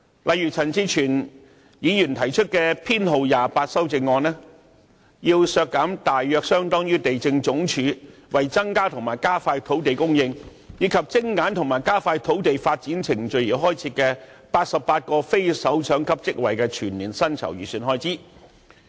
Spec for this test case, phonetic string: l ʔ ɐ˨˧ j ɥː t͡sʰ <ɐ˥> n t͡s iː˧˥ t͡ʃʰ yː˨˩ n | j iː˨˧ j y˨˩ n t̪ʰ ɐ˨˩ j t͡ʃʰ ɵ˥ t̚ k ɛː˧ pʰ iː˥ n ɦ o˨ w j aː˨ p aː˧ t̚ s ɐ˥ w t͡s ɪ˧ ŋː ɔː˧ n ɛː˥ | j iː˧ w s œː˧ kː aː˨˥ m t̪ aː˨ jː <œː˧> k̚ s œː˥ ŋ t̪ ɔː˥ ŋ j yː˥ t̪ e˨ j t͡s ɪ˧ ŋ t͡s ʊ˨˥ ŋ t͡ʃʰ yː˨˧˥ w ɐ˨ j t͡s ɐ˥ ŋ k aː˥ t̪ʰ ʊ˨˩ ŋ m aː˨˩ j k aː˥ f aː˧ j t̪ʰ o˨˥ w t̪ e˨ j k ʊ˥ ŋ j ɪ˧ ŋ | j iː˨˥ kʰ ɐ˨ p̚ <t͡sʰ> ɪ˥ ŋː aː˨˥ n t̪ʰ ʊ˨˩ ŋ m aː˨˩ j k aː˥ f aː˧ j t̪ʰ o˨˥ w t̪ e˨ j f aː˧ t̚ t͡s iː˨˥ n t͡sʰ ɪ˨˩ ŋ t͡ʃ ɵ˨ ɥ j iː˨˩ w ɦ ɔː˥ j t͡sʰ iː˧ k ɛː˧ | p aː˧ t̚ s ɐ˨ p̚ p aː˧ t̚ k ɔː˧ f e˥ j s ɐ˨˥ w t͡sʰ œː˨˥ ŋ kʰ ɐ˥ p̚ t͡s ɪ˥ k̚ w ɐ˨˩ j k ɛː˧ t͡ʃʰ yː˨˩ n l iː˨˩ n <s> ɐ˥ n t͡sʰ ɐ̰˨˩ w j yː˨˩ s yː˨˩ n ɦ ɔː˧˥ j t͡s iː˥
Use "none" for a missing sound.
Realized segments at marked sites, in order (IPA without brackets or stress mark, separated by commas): ɐ˨˩, œː˧, t͡s, s